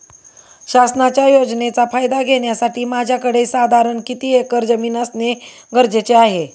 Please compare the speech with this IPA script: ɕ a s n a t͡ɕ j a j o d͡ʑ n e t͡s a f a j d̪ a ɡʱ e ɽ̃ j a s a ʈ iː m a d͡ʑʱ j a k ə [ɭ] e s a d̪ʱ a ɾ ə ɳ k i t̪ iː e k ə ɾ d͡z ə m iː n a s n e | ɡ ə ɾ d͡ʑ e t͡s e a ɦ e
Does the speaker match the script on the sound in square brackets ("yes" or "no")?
no